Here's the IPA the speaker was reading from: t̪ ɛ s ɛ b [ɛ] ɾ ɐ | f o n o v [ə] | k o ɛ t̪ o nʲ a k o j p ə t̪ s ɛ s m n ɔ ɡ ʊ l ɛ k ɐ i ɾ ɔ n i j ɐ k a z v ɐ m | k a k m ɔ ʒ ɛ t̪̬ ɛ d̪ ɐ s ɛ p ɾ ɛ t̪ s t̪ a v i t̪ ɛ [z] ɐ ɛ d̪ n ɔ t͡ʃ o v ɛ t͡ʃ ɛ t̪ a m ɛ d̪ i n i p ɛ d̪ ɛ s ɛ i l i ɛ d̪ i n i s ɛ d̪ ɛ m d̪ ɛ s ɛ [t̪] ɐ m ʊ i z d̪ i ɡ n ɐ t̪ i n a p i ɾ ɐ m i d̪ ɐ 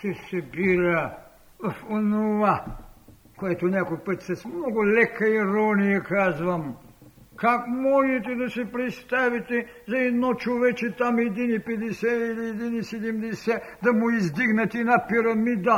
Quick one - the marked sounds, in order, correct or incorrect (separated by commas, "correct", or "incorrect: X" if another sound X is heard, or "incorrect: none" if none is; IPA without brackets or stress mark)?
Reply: incorrect: i, incorrect: a, correct, incorrect: d̪